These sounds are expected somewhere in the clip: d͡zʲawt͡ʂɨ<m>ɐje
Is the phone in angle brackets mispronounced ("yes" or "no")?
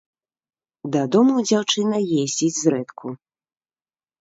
yes